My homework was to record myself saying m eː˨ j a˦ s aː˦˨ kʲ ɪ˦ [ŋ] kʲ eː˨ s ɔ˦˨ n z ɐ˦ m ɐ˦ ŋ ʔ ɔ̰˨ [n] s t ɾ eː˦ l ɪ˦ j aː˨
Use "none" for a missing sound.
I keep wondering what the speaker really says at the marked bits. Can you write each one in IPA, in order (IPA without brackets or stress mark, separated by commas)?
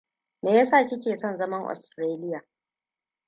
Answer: none, none